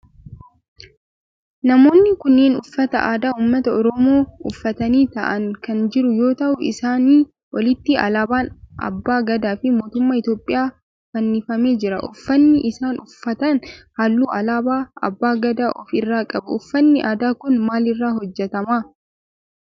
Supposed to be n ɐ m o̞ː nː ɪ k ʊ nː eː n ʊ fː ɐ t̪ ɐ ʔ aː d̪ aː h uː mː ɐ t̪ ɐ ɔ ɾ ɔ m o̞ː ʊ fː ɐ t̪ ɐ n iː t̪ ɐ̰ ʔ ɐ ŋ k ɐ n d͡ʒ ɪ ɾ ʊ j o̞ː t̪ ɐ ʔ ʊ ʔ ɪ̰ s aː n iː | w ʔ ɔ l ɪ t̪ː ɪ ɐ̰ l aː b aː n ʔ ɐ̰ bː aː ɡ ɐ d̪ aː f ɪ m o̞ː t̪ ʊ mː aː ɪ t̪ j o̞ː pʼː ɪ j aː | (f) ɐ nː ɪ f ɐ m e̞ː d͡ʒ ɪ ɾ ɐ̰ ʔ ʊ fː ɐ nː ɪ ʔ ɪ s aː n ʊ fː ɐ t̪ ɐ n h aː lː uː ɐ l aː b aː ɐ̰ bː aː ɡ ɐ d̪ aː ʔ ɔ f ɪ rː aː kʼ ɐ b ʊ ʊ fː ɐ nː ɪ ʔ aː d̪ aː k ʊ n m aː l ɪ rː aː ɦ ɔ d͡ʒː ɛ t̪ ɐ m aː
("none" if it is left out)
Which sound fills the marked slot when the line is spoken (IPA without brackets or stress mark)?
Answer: f